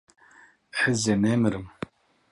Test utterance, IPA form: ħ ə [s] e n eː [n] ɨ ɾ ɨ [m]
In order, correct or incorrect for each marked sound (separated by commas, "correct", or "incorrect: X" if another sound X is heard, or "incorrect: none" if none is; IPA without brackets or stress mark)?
incorrect: z, incorrect: m, correct